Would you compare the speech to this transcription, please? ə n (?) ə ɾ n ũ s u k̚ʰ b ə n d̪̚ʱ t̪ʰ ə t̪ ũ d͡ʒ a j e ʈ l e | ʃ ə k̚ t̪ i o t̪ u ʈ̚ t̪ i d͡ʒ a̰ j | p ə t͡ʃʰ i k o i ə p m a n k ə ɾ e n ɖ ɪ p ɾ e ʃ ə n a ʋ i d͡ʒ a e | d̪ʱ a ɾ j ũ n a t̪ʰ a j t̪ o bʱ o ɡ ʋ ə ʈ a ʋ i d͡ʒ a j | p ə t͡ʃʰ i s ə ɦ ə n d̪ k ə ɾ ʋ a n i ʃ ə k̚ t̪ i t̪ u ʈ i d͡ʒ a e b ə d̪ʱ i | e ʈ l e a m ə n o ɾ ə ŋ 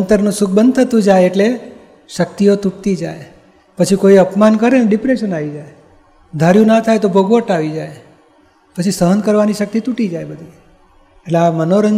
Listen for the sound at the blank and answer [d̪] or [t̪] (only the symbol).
t̪